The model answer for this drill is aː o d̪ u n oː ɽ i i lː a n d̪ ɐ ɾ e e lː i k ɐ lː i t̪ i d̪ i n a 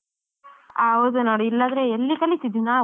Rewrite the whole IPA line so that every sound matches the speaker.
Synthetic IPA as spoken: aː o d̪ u n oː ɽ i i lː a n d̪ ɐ ɾ e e lː i k ɐ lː i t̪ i d̪ i n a